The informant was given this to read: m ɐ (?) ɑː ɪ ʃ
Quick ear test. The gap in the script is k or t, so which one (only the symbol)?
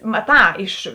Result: t